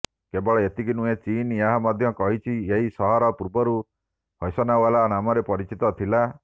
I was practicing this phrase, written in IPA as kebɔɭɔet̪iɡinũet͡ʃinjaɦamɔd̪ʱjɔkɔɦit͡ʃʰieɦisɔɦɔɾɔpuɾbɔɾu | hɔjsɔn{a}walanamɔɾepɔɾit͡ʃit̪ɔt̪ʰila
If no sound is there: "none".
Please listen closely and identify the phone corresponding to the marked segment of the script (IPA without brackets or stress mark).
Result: a